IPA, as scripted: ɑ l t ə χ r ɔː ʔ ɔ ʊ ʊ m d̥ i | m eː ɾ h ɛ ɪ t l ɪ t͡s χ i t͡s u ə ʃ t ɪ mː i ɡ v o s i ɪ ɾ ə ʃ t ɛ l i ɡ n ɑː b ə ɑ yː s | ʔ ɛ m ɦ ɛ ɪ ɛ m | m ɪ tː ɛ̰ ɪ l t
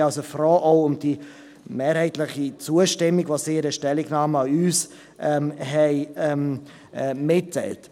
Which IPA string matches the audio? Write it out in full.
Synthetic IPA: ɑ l s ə f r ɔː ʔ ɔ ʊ ʊ m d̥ i | m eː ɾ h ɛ ɪ t l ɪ χ i t͡s u ə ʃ t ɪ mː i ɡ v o s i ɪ ɾ ə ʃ t ɛ l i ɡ n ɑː m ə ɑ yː s | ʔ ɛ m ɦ ɛ ɪ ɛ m | m ɪ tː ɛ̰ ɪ l t